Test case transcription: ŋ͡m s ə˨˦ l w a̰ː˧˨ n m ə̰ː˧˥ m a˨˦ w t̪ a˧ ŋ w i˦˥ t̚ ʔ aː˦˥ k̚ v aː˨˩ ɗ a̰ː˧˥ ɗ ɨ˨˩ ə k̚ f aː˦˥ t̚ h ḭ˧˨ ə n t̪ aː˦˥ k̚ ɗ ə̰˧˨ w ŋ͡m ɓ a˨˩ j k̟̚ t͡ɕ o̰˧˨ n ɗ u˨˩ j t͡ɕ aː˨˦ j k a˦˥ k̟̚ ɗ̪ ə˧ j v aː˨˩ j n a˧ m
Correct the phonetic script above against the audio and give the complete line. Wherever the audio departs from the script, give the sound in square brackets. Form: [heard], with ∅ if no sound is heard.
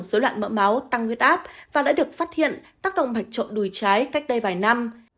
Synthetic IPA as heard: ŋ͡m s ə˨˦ l w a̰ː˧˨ n m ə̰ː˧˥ m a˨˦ w t̪ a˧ ŋ w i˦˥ t̚ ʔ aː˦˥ [p̚] v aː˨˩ ɗ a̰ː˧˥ ɗ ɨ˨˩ ə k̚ f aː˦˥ t̚ h ḭ˧˨ ə n t̪ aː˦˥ k̚ ɗ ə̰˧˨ w ŋ͡m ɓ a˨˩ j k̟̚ t͡ɕ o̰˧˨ n ɗ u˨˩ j t͡ɕ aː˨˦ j k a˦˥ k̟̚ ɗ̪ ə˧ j v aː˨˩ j n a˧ m

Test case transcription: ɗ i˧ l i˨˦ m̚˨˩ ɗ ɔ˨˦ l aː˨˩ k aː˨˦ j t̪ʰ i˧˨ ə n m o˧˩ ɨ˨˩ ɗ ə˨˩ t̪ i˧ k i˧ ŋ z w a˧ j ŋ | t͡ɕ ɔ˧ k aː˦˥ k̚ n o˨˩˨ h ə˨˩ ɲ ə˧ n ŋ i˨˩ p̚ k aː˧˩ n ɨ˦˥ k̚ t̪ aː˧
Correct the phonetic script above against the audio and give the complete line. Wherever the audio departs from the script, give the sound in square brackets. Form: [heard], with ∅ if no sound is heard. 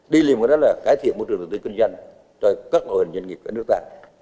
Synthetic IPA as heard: ɗ i˧ l [i˨˩] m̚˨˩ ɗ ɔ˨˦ l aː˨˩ k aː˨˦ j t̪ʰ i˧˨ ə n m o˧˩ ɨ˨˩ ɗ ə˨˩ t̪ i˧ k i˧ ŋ z w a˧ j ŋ | t͡ɕ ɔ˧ k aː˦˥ k̚ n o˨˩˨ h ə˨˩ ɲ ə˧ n ŋ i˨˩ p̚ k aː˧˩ n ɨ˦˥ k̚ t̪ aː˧

